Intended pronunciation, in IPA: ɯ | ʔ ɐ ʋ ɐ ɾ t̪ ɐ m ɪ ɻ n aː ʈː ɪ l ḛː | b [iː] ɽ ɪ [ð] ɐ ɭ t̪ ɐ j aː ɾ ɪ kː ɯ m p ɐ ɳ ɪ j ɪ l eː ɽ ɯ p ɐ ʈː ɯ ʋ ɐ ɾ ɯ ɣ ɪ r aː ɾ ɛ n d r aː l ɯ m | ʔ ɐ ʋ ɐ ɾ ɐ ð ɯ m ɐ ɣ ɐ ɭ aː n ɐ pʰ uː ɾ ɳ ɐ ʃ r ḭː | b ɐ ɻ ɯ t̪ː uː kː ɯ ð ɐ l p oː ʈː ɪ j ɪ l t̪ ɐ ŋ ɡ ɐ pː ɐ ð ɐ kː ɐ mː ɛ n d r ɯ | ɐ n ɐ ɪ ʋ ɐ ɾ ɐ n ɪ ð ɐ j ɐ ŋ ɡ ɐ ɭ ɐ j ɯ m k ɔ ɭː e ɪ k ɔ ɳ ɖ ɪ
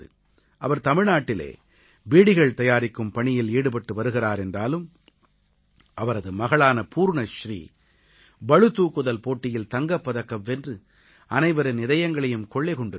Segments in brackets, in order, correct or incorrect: correct, incorrect: ɣ

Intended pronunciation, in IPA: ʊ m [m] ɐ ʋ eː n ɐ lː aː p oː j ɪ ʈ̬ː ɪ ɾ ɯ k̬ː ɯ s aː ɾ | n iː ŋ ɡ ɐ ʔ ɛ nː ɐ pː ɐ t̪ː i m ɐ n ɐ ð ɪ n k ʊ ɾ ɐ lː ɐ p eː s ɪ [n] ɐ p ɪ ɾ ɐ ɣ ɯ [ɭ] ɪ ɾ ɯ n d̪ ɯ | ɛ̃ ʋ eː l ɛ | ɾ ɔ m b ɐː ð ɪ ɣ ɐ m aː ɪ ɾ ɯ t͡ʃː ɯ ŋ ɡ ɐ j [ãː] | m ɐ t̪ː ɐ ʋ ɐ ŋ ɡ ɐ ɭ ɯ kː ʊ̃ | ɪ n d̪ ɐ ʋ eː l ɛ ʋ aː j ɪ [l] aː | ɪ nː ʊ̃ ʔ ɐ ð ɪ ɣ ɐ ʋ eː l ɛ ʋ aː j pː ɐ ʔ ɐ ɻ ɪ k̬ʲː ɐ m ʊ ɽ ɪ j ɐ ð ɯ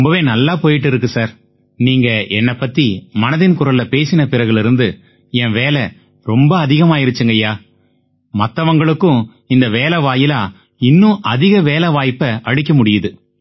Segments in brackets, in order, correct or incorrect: incorrect: b, correct, correct, incorrect: aː, correct

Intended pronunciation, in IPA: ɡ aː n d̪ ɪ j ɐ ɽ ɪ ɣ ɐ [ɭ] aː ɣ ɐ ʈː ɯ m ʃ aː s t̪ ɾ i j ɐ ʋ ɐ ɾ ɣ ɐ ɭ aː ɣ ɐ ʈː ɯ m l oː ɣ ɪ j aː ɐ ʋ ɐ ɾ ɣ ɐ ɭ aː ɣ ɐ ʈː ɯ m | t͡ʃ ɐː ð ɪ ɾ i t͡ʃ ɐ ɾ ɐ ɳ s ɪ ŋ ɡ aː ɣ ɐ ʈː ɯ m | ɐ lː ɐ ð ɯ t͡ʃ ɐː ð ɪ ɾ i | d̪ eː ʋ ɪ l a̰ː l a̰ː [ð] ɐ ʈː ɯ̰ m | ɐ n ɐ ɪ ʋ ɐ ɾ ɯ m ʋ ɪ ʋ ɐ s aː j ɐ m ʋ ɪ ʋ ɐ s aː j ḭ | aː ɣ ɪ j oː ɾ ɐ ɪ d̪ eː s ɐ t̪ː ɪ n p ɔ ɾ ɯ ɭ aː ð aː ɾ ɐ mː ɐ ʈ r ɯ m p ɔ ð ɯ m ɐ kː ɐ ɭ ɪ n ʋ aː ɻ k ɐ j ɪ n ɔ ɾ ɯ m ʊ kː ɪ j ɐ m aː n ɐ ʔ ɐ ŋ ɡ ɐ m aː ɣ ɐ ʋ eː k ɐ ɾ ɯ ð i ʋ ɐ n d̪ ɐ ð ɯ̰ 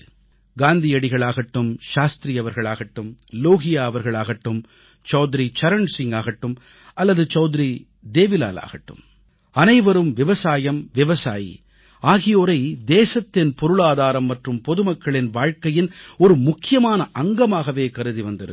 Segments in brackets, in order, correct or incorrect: correct, incorrect: ɣ

